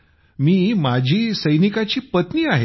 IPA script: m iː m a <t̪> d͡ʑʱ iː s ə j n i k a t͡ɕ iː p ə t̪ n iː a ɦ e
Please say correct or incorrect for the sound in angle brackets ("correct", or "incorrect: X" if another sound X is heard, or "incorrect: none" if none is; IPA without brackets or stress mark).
incorrect: none